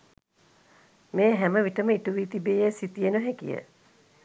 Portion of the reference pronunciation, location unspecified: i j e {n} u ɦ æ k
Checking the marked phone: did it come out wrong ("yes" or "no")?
no